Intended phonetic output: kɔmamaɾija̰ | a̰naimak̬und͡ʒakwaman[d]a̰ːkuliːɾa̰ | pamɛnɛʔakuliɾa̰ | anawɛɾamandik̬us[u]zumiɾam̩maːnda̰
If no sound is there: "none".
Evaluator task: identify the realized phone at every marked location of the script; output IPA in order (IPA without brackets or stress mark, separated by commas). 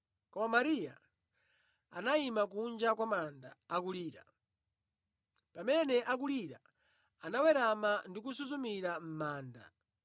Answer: d, u